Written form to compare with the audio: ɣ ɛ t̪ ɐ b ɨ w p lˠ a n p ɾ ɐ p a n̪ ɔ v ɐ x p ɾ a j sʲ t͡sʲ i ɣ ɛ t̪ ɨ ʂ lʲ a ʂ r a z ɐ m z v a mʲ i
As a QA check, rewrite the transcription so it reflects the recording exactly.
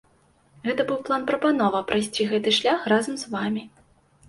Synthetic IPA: ɣ ɛ t̪ ɐ b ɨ w p lˠ a n p ɾ ɐ p a n̪ ɔ v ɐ p ɾ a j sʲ t͡sʲ i ɣ ɛ t̪ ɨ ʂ lʲ a x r a z ɐ m z v a mʲ i